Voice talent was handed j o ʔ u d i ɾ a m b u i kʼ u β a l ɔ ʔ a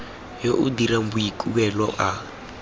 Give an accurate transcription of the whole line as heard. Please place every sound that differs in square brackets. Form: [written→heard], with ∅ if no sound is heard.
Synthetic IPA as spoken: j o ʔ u d i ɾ a m b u i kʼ u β [a→ɛ] l ɔ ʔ a